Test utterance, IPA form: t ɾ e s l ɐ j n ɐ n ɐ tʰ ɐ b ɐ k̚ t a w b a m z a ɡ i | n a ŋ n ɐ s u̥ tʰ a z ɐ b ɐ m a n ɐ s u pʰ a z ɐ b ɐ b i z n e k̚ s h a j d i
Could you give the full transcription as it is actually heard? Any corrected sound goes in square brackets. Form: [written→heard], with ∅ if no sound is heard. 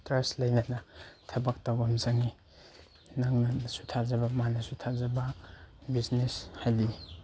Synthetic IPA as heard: t ɾ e s l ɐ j n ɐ n ɐ tʰ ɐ b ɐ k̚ t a w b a m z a [ɡ→ŋ] i | n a ŋ n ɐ s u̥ tʰ a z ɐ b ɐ m a n ɐ s u [pʰ→tʰ] a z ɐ b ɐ b i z n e [k̚→∅] s h a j d i

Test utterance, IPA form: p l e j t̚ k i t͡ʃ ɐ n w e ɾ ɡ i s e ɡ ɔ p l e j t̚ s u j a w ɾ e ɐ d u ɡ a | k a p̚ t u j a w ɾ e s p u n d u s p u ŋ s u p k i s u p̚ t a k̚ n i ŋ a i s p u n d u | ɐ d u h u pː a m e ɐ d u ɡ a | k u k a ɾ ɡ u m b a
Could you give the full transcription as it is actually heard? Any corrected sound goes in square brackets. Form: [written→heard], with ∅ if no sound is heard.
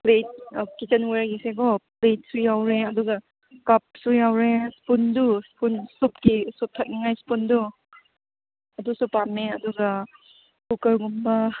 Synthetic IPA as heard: p l e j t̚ k i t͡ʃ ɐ n w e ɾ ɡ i s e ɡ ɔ p l e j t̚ s u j a w ɾ e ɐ d u ɡ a | k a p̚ [t→s] u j a w ɾ e s p u n d u s p u [ŋ→n] s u p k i s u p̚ [t→tʰ] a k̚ n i ŋ a [i→j] s p u n d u | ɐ d u [h→s] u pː a m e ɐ d u ɡ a | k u k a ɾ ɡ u m b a

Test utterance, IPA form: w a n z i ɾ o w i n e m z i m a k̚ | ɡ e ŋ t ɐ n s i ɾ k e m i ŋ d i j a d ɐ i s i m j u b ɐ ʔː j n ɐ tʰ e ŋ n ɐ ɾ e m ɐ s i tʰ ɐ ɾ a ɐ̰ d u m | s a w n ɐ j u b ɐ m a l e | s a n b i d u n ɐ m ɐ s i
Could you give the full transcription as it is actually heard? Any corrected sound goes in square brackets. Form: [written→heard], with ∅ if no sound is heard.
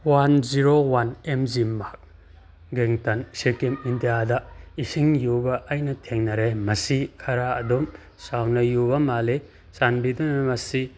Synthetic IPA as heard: w a n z i ɾ o w [i→a] n e m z i m a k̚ | ɡ e ŋ t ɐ n s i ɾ k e m i [ŋ→n] d i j a d ɐ i s i [m→ŋ] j u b ɐ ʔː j n ɐ tʰ e ŋ n ɐ ɾ e m ɐ s i [tʰ→kʰ] ɐ ɾ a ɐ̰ d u m | s a w n ɐ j u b ɐ m a l e | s a n b i d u n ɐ m ɐ s i

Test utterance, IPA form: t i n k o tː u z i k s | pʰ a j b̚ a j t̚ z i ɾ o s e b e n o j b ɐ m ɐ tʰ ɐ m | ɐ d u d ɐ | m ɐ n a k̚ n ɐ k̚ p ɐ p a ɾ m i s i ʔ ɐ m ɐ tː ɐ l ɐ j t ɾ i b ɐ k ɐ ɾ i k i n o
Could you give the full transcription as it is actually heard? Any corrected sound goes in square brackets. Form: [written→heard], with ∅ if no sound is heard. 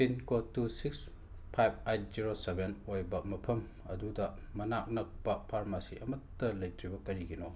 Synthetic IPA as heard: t i n k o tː u [z→s] i k s | pʰ a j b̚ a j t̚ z i ɾ o s e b e n o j b ɐ m ɐ [tʰ→pʰ] ɐ m | ɐ d u d ɐ | m ɐ n a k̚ n ɐ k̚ p ɐ [p→pʰ] a ɾ m [i→a] s i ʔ ɐ m ɐ tː ɐ l ɐ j t ɾ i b ɐ k ɐ ɾ i [k→ɡ] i n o

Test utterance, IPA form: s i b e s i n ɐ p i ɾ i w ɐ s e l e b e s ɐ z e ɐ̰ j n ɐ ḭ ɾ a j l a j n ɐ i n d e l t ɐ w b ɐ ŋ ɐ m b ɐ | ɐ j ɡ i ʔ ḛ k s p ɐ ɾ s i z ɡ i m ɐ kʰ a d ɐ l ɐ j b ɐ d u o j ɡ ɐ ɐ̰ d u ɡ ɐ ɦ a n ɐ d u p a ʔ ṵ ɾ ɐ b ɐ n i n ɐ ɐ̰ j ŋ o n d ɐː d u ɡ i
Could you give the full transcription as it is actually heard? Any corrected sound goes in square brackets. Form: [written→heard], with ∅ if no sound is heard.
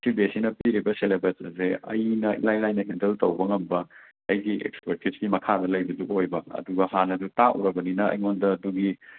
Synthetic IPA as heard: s i b e s i n ɐ p i ɾ i [w→b] ɐ s e l e b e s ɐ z e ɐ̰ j n ɐ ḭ [ɾ→l] a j l a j n ɐ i n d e l t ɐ w b ɐ ŋ ɐ m b ɐ | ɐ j ɡ i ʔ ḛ k s p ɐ ɾ [s→t] i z ɡ i m ɐ kʰ a d ɐ l ɐ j b ɐ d u o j [ɡ→b] ɐ ɐ̰ d u ɡ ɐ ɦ a n ɐ d u [p→t] a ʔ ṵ ɾ ɐ b ɐ n i n ɐ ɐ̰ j ŋ o n d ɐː d u ɡ i

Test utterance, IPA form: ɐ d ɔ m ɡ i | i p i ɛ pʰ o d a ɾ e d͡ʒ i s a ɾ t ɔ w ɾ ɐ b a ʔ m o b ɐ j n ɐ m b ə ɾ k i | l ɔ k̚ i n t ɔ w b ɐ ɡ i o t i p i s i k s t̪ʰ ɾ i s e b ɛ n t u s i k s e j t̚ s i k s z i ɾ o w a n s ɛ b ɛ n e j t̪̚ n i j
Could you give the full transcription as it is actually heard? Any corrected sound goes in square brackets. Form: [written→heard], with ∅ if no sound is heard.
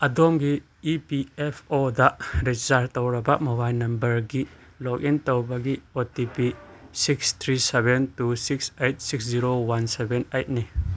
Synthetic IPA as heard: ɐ d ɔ m ɡ i | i p i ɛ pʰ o d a ɾ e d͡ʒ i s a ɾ t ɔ w ɾ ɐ b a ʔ m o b [ɐ→a] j n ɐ m b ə ɾ [k→ɡ] i | l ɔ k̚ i n t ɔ w b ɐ ɡ i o t i p i s i k s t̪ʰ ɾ i s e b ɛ n t u s i k s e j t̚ s i k s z i ɾ o w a n s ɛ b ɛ n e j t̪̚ n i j

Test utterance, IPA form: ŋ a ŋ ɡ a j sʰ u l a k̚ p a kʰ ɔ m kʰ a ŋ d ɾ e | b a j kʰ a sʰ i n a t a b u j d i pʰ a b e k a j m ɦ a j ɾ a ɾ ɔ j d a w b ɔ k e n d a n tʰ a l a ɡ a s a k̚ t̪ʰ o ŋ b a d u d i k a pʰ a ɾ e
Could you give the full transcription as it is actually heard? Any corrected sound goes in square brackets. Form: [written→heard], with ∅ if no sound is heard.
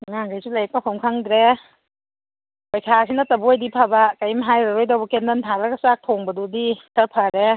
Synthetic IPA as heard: ŋ a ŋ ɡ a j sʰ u l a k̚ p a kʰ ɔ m kʰ a ŋ d ɾ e | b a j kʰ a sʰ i n a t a b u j d i pʰ a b [e→a] k a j m ɦ a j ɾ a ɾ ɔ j d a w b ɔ k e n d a n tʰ a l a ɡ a s a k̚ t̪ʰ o ŋ b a d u d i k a pʰ a ɾ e

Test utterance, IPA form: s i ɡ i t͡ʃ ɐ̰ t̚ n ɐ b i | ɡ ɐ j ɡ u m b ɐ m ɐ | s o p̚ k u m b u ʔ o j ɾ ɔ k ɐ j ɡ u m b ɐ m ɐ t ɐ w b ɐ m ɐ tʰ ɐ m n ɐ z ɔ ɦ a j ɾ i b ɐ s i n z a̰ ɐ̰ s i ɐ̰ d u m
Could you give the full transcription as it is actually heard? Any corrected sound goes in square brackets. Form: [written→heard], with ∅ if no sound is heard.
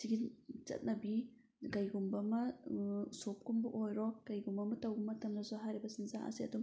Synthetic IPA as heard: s i ɡ i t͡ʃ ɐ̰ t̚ n ɐ b i | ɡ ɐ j ɡ u m b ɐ m ɐ | s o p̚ k u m b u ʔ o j ɾ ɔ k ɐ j ɡ u m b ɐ m ɐ t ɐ w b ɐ m ɐ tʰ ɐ m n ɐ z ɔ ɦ a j ɾ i b ɐ s i n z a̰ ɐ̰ s i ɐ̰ d u m

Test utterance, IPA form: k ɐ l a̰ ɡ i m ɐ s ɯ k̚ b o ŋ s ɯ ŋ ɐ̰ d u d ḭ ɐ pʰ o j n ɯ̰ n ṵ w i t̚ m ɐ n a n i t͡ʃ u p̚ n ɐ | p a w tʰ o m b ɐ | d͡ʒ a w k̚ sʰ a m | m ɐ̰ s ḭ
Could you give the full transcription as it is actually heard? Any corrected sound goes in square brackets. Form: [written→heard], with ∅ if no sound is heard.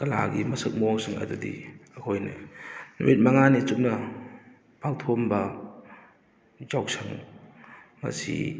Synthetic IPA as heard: k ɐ l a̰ ɡ i m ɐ s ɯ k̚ [b→m] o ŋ s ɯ ŋ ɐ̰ d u d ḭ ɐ [pʰ→kʰ] o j n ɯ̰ n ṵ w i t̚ m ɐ [n→ŋ] a n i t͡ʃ u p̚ n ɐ | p a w tʰ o m b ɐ | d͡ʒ a w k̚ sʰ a [m→ŋ] | m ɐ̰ s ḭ

